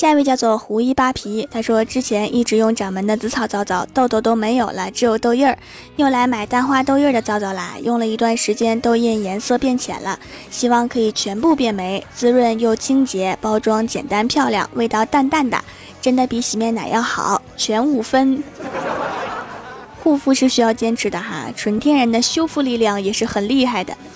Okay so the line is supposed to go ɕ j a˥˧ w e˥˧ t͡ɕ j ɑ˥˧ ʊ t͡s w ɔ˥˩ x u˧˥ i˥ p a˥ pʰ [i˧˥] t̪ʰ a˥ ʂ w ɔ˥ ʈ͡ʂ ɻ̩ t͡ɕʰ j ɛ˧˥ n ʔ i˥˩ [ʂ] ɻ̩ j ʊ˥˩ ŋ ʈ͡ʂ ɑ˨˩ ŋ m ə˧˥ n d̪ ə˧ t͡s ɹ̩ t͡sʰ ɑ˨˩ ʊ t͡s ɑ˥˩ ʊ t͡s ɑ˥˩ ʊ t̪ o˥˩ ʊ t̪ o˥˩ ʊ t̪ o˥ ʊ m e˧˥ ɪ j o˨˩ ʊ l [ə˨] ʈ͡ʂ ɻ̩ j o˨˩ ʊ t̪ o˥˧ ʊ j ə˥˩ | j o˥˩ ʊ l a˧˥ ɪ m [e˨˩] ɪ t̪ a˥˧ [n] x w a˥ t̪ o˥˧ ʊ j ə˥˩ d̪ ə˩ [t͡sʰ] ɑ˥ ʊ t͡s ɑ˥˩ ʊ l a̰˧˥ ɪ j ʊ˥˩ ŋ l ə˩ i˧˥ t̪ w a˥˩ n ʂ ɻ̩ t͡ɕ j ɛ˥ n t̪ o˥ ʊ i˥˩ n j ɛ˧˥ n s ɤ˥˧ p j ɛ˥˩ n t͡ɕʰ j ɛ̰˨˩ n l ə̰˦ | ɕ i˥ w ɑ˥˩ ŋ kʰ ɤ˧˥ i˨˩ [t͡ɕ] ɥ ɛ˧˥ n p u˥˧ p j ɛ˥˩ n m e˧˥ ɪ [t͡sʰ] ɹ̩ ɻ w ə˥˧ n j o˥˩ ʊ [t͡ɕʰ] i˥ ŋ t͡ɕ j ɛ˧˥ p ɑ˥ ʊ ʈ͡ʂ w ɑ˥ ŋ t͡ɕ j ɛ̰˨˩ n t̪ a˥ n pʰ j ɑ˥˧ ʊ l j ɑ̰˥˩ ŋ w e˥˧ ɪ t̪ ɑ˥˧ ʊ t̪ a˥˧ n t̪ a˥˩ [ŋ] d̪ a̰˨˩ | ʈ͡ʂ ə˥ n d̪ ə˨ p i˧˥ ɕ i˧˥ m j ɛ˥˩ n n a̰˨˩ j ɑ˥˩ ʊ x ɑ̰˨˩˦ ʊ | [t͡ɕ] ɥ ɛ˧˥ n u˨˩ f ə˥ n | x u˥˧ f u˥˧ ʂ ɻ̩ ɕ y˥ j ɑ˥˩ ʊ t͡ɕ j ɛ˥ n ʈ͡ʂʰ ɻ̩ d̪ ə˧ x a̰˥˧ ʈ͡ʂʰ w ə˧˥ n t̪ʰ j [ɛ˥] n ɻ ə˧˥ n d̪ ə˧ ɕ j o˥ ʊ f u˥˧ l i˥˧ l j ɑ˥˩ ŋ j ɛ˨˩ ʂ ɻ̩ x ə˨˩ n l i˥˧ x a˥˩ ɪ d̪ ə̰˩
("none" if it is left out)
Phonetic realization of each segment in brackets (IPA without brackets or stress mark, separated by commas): i˧˥, ʈ͡ʂ, ə˦, a˨˩, n, t͡s, t͡ɕʰ, t͡s, t͡ɕʰ, n, t͡ɕʰ, ɛ˥